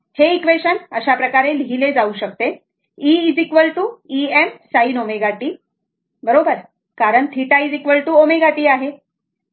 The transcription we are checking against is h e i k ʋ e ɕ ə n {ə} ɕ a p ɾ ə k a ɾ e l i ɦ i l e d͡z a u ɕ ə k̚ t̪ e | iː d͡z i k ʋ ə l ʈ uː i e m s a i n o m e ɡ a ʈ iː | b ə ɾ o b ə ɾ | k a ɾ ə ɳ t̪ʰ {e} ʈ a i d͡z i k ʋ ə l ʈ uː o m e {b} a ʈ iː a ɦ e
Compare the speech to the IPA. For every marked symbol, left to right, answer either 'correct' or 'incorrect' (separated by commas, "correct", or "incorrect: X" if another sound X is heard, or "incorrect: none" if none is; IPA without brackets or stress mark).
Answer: correct, incorrect: i, incorrect: ɡ